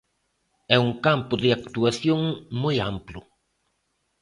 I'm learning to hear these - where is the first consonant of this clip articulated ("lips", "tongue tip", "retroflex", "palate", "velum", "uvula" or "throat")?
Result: velum